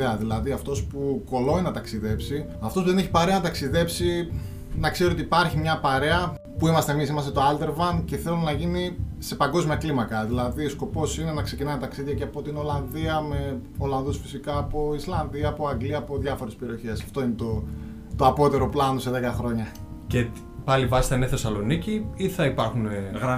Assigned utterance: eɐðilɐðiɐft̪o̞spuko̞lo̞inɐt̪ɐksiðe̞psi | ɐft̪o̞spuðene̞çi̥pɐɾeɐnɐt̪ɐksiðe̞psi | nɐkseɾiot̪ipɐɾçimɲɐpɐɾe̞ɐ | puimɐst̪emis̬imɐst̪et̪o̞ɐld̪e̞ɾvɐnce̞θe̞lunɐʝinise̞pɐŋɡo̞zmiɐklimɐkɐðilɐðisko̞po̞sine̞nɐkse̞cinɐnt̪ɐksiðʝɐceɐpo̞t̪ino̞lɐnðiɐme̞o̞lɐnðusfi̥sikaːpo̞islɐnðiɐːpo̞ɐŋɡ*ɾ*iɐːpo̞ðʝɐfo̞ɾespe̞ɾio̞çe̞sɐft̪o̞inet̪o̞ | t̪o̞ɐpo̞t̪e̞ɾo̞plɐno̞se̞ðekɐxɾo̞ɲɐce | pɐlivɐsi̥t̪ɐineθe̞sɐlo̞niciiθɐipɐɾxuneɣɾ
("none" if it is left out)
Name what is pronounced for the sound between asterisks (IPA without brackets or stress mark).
l